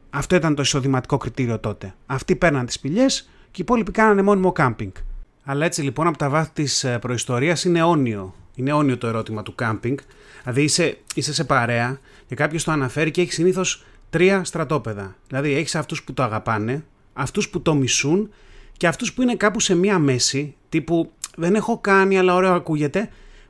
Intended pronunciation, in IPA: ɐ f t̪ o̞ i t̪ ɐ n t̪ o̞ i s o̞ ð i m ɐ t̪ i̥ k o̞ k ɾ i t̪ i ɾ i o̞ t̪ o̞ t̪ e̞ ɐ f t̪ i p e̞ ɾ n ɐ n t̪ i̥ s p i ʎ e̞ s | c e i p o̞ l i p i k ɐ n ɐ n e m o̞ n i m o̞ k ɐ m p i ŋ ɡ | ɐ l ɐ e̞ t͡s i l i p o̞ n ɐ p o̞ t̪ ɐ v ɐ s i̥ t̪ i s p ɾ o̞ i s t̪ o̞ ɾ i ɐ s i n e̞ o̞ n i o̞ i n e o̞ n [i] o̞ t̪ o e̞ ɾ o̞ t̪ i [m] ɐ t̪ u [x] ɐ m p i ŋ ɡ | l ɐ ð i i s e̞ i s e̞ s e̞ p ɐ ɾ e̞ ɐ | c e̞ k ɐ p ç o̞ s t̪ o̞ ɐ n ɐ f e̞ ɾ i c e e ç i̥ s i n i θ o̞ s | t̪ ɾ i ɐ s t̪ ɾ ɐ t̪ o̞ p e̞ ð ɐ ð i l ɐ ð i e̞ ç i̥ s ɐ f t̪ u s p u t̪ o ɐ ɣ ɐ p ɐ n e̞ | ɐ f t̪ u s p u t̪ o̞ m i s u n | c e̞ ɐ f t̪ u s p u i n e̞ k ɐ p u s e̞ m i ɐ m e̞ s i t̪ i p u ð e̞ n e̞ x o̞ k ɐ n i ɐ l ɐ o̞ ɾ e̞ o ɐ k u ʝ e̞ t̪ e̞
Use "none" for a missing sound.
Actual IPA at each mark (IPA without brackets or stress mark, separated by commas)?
i, m, k